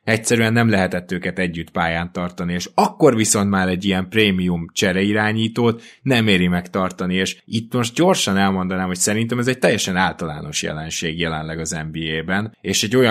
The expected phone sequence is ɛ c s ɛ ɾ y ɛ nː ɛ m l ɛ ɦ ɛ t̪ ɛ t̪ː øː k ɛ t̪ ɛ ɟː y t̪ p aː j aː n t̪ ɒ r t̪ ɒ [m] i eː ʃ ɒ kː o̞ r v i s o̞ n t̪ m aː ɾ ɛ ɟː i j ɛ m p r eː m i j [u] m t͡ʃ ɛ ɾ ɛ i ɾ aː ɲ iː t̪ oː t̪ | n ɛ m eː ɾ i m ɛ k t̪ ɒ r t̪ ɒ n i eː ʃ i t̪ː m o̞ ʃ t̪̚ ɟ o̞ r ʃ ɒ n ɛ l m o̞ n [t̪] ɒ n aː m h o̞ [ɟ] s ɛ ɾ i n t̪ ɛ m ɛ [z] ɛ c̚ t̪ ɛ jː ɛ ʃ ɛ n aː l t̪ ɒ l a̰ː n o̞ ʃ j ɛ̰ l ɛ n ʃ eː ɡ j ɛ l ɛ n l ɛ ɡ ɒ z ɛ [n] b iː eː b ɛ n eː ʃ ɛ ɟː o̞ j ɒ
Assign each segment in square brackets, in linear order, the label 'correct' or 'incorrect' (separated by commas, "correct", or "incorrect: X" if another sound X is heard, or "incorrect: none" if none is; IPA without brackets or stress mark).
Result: incorrect: n, correct, incorrect: d̪, incorrect: c, correct, incorrect: m